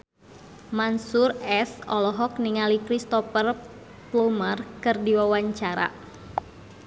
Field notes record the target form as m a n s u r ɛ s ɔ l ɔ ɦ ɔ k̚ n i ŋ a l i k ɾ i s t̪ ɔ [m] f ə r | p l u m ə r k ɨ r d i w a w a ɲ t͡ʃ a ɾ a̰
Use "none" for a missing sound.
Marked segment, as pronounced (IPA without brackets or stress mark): none